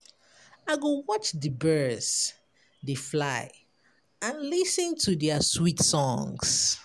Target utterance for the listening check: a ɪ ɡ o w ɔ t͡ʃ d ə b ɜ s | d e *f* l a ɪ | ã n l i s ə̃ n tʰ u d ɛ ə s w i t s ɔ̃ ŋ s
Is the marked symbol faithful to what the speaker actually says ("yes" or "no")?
yes